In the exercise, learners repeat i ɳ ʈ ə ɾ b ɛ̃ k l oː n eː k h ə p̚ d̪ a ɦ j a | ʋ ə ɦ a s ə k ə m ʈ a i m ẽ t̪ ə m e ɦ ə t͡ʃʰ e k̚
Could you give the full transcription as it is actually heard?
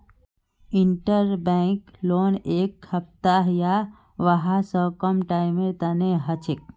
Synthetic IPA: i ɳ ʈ ə ɾ b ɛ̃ k l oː n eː k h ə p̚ t̪ a ɦ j a | ʋ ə ɦ a s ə k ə m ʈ a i m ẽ t̪ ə n e ɦ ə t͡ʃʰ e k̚